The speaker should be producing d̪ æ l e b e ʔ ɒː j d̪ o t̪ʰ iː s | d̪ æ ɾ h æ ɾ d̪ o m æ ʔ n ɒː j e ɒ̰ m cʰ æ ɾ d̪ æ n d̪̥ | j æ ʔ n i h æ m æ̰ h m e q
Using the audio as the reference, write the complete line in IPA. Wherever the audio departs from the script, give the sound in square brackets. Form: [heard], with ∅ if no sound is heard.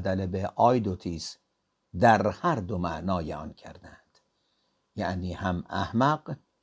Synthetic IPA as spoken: d̪ æ l e b e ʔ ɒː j d̪ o t̪ʰ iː s | d̪ æ ɾ h æ ɾ d̪ o m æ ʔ n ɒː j e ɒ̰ [n] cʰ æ ɾ d̪ æ n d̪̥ | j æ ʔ n [iː] h æ m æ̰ h m [æ] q